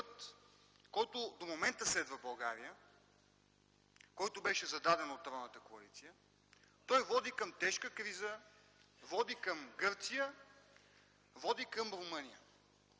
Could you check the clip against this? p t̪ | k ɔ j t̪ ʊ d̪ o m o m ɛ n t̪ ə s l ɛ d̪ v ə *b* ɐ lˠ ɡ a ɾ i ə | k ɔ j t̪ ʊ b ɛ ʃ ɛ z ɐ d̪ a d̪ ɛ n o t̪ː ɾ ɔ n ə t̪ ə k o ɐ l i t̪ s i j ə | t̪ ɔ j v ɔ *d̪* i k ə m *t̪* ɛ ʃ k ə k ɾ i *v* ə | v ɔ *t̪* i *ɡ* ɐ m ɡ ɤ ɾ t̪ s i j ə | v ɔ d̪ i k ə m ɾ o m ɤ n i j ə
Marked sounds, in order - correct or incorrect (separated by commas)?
correct, correct, correct, incorrect, incorrect, incorrect